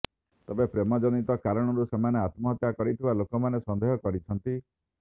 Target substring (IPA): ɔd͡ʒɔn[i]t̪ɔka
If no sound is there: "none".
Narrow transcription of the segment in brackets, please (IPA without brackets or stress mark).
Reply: i